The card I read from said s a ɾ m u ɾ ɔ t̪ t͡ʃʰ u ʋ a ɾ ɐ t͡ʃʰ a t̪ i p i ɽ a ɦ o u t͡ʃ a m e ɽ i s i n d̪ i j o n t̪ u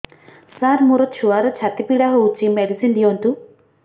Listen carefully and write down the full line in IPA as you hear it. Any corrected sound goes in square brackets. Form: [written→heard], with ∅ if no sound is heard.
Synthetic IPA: s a ɾ m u ɾ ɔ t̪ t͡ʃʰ u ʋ a ɾ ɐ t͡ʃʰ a t̪ i p i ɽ a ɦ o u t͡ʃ [a→i] m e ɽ i s i n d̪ i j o n t̪ u